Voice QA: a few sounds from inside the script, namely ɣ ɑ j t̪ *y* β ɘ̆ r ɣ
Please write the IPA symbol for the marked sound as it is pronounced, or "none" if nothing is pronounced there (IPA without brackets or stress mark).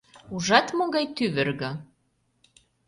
y